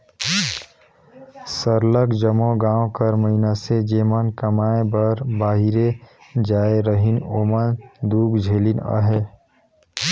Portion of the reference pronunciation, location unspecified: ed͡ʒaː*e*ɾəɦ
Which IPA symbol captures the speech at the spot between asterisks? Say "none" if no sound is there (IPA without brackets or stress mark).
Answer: e